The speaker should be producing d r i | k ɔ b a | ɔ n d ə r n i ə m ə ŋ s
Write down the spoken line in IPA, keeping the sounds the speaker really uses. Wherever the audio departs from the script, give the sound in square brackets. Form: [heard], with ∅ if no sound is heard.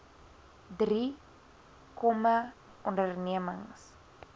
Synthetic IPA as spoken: d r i | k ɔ [m] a | ɔ n d ə r n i ə m ə ŋ s

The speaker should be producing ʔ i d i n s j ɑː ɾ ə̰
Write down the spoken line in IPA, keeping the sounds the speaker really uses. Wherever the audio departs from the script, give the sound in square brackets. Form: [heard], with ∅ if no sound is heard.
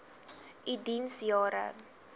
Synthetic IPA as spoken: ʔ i d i n s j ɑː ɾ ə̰

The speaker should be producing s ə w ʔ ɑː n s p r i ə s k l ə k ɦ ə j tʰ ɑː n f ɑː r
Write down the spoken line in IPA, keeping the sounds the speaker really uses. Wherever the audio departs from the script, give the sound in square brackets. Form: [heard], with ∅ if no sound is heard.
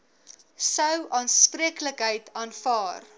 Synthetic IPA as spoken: s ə w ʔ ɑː n s p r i ə [∅] k l ə k ɦ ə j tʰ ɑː n f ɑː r

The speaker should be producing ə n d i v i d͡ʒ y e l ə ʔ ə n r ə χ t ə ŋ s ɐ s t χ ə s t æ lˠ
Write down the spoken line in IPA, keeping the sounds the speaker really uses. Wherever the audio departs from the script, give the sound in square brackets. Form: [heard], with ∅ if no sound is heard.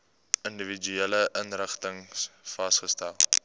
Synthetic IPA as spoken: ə n d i v i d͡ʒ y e l ə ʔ ə n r ə χ t ə ŋ [f] ɐ s t χ ə s t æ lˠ

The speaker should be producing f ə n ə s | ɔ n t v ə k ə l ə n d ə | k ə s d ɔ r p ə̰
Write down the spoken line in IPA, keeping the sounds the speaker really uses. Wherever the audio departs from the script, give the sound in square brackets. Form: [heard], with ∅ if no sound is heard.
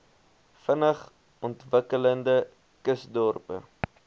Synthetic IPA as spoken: f ə n ə [χ] | ɔ n t v ə k ə l ə n d ə | k ə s d ɔ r p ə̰

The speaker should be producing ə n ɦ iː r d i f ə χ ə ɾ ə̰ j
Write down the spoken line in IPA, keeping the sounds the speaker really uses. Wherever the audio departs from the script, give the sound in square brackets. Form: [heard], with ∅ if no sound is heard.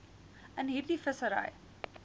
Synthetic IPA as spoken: ə n ɦ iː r d i f ə [s] ə ɾ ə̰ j

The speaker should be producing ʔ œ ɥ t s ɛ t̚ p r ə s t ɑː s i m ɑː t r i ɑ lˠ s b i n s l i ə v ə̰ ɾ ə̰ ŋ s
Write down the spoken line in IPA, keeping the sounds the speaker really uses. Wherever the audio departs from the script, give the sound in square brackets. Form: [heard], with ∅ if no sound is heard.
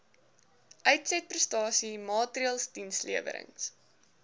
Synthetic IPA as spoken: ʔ œ ɥ t s ɛ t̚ p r ə s t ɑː s i m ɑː t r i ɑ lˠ s [d] i n s l i ə v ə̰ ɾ ə̰ ŋ s

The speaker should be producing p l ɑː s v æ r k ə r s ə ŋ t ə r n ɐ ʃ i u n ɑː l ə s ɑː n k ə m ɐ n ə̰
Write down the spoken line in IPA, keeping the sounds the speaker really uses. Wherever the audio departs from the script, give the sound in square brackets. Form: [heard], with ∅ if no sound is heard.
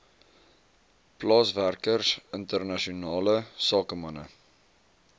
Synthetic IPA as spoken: p l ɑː s v æ r k ə r s ə [n] t ə r n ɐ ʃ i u n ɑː l ə s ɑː [∅] k ə m ɐ n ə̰

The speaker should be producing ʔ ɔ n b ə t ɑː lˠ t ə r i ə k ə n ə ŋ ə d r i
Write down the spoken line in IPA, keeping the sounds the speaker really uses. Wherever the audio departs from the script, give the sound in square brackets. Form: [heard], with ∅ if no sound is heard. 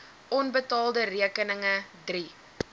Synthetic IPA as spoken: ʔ ɔ n b ə t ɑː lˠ [d] ə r i ə k ə n ə ŋ ə d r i

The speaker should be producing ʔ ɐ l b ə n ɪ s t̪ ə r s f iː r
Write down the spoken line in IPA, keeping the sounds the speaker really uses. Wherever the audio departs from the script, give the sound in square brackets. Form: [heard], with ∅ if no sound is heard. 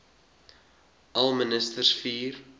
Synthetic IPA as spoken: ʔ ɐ l [m] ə n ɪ s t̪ ə r s f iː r

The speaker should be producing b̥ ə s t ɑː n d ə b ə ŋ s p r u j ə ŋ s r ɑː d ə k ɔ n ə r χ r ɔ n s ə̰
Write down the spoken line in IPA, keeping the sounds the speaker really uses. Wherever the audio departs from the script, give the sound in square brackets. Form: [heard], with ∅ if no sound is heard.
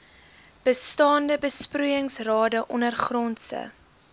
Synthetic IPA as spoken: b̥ ə s t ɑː n d ə b ə [∅] s p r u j ə ŋ s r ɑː d ə [ʔ] ɔ n ə r χ r ɔ n s ə̰

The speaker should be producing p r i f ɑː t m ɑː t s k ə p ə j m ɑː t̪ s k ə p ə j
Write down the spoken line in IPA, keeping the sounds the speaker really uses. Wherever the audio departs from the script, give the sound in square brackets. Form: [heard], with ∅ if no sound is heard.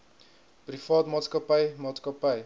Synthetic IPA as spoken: p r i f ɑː t m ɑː t s k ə p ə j m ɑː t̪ s k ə p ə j

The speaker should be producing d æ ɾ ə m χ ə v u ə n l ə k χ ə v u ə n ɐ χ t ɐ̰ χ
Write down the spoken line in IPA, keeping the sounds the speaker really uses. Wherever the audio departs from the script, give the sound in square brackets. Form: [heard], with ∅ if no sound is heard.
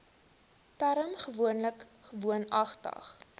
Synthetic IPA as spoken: [t] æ ɾ ə m χ ə v u ə n l ə k χ ə v u ə n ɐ χ t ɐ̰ χ

